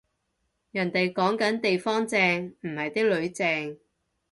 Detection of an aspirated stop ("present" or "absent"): absent